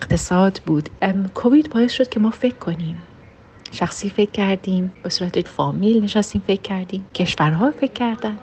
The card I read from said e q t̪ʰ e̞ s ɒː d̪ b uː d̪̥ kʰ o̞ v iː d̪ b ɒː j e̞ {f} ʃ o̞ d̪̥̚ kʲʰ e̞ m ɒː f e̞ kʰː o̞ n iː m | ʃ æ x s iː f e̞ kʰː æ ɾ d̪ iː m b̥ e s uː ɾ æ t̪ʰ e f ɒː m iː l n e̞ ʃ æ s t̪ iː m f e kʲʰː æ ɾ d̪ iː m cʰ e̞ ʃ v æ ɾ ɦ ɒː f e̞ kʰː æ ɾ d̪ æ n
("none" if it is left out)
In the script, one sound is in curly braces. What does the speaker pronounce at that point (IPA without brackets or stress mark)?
s